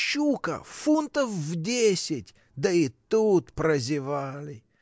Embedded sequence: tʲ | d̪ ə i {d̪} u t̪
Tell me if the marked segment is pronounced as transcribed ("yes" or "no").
no